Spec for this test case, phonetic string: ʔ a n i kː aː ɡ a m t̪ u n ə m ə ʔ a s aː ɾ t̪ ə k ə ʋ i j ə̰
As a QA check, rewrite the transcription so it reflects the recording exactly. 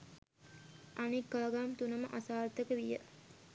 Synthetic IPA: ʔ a n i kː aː ɡ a m t̪ u n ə m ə ʔ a s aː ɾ t̪ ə k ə ʋ i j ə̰

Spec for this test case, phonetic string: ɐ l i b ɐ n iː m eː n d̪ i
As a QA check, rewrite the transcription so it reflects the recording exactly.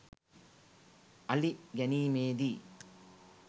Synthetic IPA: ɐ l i ɡ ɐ n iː m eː d̪ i

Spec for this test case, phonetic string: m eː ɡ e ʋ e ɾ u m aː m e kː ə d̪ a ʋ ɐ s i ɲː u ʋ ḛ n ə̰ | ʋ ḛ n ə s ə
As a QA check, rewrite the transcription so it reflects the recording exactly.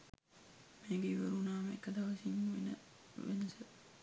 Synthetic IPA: m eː ɡ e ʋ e ɾ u n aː m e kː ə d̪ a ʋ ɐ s i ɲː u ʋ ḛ n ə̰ | ʋ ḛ n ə s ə

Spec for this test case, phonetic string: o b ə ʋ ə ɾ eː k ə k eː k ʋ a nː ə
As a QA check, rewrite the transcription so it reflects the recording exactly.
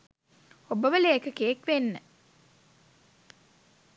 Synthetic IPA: o b ə ʋ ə l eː k ə k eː k ʋ e nː ə

